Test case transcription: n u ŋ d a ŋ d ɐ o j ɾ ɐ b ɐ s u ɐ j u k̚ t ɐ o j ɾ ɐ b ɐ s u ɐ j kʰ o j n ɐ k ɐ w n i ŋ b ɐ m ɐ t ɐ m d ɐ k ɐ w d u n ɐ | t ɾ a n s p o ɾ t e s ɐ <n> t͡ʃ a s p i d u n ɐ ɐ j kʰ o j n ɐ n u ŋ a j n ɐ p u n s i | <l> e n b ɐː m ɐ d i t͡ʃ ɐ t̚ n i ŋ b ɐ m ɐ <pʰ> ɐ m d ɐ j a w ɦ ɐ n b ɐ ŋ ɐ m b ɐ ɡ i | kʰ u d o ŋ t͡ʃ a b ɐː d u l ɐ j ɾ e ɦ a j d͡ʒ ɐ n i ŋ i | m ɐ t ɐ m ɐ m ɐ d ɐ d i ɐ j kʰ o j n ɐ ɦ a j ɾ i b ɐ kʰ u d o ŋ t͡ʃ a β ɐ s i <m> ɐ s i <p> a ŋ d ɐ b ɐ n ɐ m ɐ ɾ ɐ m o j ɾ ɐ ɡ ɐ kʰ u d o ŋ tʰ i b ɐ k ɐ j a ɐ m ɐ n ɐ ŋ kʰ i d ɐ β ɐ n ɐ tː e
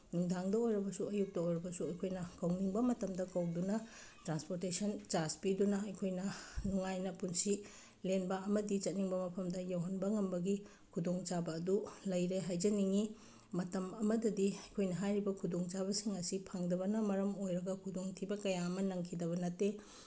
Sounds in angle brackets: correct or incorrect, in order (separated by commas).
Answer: correct, correct, correct, incorrect, incorrect